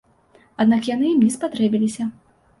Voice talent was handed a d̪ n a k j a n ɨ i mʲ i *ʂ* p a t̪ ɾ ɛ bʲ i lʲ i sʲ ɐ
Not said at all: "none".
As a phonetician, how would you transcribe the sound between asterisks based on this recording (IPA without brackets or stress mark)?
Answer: s